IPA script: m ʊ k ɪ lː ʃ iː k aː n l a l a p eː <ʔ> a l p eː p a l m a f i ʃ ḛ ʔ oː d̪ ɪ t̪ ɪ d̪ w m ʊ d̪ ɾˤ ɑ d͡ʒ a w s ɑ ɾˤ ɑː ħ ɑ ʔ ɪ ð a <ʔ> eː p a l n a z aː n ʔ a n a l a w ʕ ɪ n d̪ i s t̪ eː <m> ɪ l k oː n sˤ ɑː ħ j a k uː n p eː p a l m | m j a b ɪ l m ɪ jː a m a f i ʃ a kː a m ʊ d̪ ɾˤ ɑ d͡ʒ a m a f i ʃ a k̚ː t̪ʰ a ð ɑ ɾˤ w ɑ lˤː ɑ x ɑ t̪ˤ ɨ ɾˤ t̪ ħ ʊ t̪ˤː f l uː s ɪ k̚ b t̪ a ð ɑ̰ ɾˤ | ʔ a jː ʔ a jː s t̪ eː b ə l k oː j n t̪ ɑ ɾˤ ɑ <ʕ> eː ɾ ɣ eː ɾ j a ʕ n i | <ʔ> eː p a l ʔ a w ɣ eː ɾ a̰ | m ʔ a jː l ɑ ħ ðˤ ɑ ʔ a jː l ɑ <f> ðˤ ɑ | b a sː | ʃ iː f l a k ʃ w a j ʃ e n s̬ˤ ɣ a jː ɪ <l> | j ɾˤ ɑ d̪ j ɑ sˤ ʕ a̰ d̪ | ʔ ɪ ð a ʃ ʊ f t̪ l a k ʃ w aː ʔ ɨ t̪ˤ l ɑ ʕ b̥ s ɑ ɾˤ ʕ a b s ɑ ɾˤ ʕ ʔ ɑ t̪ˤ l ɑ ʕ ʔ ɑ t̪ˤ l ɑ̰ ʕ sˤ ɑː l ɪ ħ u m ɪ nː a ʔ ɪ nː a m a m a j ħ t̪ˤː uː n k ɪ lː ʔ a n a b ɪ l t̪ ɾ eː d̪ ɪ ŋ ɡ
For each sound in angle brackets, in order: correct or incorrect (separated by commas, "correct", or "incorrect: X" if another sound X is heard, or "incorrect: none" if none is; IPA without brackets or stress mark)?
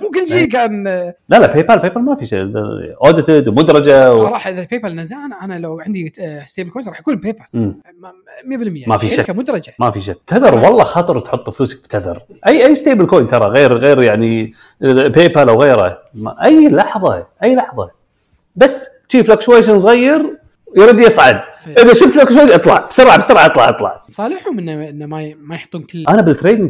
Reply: incorrect: p, incorrect: p, incorrect: b, incorrect: ɣ, incorrect: p, incorrect: ħ, incorrect: ɾ